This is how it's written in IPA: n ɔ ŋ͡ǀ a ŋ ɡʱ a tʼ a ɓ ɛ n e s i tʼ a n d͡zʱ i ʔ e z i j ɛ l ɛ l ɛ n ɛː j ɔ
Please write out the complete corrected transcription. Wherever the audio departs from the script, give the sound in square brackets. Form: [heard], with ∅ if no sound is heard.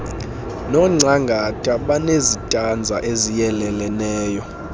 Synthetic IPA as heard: n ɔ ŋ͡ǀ a ŋ ɡʱ a tʼ a ɓ [a] n e [z] i tʼ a n d͡zʱ [a] ʔ e z i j ɛ l ɛ l ɛ n ɛː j ɔ

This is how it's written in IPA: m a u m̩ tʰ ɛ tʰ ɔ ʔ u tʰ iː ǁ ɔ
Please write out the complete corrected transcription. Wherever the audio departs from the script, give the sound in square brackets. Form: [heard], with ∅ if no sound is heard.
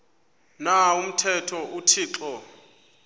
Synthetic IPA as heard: [n] a u m̩ tʰ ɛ tʰ ɔ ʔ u tʰ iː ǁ ɔ

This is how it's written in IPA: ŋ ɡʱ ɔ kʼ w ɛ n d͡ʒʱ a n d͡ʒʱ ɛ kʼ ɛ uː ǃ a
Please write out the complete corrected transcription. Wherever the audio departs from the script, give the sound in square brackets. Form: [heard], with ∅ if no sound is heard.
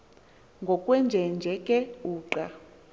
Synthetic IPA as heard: ŋ ɡʱ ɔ kʼ w ɛ n d͡ʒʱ [ɛ] n d͡ʒʱ ɛ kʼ ɛ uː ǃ a

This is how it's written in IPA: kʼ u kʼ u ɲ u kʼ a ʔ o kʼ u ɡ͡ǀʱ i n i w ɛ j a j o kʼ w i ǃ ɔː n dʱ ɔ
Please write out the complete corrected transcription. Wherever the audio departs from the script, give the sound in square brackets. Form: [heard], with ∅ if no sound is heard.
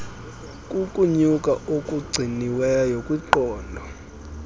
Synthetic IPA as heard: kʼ u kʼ u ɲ u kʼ a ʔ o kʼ u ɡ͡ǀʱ i n i w ɛ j a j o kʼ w i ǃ ɔː n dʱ ɔ

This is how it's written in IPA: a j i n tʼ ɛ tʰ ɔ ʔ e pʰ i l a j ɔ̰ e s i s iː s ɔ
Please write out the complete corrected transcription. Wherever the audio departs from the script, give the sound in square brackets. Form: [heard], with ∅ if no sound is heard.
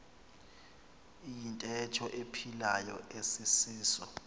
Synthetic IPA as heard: [i] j i n tʼ ɛ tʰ ɔ ʔ e pʰ i l a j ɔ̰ e s i s iː s ɔ

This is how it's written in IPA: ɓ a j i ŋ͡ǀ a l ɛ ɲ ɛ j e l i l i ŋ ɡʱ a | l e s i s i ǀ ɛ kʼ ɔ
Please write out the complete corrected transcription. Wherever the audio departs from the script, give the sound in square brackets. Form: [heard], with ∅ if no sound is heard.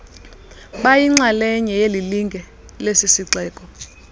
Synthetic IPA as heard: ɓ a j i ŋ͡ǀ a l ɛ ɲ ɛ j e l i l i ŋ ɡʱ [ɛ] | l e s i s i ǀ [ɛː] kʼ ɔ

